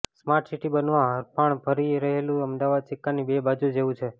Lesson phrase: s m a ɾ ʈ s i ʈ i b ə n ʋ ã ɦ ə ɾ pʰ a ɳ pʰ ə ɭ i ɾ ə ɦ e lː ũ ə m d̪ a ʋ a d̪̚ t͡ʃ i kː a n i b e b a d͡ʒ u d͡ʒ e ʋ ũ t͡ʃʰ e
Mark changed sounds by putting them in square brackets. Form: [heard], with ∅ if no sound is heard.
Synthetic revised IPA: s m a ɾ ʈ s i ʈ i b ə n ʋ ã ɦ ə ɾ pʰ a ɳ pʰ ə [ɾ] i ɾ ə ɦ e [l] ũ ə m d̪ a ʋ a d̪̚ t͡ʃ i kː a n i b e b a d͡ʒ u d͡ʒ e ʋ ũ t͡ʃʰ e